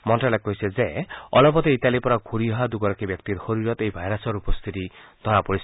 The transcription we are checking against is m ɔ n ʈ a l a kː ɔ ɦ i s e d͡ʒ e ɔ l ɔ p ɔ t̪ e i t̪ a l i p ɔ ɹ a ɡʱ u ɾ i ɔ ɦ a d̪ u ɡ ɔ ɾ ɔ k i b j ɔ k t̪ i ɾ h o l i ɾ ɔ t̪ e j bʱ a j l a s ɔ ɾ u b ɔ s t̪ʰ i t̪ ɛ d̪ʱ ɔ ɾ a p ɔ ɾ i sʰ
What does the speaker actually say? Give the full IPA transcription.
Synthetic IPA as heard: m ɔ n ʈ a l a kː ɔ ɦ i s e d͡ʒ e ɔ l ɔ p ɔ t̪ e i t̪ a l i p ɔ ɾ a ɡʱ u ɾ i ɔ ɦ a d̪ u ɡ ɔ ɾ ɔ k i b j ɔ k t̪ i ɾ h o ɾ i ɾ ɔ t̪ e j bʱ a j ɾ a s ɔ ɾ u p ɔ s t̪ʰ i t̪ i d̪ʱ ɔ ɾ a p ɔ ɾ i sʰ